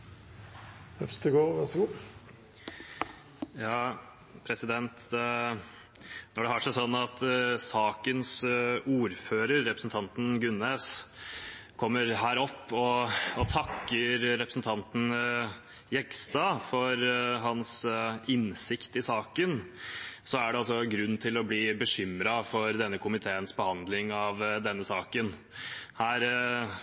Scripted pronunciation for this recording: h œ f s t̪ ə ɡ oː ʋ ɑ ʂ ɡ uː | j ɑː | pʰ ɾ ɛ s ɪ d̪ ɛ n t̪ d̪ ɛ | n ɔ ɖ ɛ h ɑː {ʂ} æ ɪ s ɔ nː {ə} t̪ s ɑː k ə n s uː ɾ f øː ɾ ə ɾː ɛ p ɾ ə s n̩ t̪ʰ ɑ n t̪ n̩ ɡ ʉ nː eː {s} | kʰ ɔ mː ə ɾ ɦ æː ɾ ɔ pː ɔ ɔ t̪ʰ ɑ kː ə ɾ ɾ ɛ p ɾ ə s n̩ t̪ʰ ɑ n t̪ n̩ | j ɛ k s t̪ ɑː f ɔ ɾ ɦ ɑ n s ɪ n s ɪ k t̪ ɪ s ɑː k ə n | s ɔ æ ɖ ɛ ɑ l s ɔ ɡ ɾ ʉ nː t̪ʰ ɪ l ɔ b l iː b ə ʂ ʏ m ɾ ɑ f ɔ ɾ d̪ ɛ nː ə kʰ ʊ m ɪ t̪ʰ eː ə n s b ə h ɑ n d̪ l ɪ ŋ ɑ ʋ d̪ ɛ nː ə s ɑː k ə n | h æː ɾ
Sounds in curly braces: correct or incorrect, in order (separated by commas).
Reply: correct, incorrect, correct